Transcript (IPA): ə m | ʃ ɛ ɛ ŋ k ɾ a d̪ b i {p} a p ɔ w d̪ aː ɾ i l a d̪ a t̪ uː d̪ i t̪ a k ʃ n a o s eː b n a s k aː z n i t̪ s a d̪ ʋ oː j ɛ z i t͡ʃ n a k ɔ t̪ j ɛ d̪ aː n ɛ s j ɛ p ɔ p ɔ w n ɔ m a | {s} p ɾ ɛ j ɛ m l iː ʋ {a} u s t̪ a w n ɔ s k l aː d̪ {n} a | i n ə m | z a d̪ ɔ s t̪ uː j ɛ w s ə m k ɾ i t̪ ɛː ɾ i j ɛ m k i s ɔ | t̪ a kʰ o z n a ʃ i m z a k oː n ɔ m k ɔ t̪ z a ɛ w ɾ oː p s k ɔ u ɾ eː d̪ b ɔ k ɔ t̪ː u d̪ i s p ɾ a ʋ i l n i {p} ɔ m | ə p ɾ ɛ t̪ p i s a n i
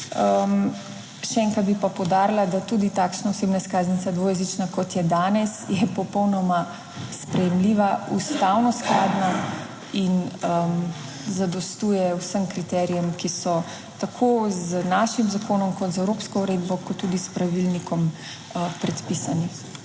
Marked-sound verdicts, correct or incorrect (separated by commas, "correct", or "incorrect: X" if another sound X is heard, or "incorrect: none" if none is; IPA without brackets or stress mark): correct, correct, correct, correct, incorrect: k